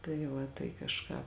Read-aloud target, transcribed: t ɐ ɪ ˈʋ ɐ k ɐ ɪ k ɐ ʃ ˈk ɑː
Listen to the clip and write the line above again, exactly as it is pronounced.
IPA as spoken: t ɐ ɪ ˈʋ ɐ t ɐ ɪ k ɐ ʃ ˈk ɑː